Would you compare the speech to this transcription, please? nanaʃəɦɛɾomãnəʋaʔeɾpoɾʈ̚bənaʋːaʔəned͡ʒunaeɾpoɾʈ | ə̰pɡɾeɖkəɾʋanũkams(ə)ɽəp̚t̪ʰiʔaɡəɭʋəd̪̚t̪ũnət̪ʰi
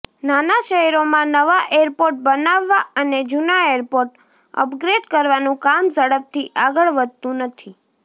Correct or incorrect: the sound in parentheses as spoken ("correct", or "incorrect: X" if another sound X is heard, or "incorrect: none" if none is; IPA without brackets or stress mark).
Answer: correct